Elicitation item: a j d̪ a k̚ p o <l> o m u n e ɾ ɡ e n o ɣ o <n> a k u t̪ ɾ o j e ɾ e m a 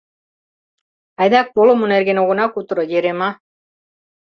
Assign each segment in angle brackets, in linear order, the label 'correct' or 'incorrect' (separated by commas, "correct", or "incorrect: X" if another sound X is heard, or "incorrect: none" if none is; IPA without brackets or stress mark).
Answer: correct, correct